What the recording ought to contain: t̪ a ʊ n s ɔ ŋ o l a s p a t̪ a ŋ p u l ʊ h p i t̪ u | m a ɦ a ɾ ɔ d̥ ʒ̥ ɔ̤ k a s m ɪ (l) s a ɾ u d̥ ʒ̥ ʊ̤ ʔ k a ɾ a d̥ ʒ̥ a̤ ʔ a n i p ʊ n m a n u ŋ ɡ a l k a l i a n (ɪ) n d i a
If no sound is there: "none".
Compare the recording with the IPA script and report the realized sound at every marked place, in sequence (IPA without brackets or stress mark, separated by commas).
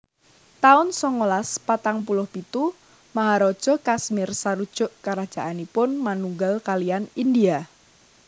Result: r, i